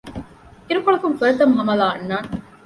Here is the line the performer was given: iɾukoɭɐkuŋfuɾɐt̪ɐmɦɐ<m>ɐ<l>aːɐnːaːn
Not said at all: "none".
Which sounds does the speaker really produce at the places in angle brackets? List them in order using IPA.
m, l

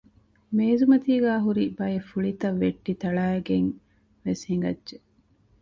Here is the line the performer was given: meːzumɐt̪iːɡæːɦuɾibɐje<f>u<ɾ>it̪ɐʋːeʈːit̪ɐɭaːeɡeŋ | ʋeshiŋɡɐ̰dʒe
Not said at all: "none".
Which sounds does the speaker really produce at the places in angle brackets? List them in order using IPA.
f, ɭ

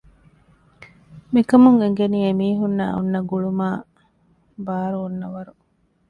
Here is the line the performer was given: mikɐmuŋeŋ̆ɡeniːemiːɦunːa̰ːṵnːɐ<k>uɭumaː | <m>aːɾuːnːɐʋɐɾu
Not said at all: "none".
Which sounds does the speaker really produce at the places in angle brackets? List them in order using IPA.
ɡ, b

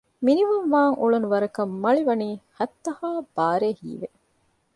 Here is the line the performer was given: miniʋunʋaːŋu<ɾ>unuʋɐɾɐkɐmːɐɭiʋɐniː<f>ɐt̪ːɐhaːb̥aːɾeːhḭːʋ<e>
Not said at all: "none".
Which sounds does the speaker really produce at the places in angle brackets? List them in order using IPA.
ɭ, h, e

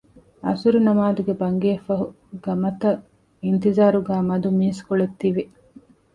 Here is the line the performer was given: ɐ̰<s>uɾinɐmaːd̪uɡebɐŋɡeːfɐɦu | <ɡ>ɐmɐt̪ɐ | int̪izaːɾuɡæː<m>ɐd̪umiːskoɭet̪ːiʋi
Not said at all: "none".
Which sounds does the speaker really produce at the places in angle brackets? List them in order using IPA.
s, ɡ, m

